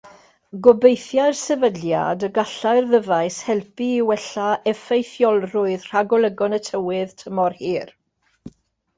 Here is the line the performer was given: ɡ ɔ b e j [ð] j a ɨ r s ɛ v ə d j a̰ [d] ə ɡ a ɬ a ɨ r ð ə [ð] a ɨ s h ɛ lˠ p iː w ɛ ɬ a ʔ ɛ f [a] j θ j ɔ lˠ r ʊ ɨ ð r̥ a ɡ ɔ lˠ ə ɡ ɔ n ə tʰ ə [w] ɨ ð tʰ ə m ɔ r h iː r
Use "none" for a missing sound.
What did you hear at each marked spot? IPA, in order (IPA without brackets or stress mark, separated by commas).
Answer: θ, d, v, e, w